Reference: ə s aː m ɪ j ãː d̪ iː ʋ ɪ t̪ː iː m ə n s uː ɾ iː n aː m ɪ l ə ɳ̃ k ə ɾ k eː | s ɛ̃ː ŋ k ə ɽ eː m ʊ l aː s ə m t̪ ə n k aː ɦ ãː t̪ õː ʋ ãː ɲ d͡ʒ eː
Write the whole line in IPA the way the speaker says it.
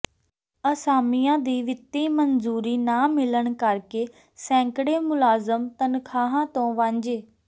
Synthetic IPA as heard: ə s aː m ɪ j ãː d̪ iː ʋ ɪ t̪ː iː m ə n z uː ɾ iː n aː m ɪ l ə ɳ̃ k ə ɾ k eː | s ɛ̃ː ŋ k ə ɽ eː m ʊ l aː z ə m t̪ ə n kʰ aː ɦ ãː t̪ õː ʋ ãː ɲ d͡ʒ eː